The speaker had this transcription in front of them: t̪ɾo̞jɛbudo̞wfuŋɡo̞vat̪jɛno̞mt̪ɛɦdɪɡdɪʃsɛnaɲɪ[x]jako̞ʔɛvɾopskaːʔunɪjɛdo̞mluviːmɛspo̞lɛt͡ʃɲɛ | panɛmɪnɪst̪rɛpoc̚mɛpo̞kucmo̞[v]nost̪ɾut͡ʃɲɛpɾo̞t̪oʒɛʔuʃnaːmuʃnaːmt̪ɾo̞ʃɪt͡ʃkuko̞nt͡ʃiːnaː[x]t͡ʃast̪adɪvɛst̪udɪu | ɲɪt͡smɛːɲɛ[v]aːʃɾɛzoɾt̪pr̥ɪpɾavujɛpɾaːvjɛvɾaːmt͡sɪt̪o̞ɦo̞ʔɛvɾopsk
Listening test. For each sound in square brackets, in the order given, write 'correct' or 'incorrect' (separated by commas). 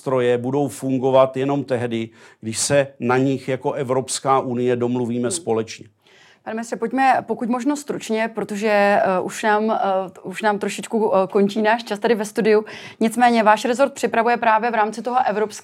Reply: correct, incorrect, incorrect, correct